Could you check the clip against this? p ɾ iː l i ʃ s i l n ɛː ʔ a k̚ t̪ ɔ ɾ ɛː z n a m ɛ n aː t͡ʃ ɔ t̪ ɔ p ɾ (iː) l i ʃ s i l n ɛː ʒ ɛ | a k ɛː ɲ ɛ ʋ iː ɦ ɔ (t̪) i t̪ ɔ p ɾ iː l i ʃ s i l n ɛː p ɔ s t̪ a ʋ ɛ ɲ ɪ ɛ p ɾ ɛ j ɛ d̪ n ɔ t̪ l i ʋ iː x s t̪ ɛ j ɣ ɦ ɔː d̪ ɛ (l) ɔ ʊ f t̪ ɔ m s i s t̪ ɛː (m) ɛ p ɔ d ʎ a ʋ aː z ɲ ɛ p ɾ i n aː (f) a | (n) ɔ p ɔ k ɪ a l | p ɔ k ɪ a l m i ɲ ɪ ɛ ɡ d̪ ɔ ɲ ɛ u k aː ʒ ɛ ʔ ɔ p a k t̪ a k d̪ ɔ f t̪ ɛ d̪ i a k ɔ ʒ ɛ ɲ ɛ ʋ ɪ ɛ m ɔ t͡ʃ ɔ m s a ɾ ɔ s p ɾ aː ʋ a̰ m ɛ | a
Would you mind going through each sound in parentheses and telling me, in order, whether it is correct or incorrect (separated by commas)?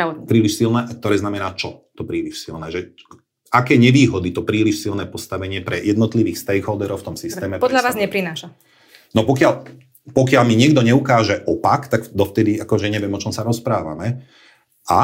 correct, incorrect, incorrect, correct, incorrect, correct